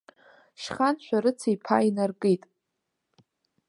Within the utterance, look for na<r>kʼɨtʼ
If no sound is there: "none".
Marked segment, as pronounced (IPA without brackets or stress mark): r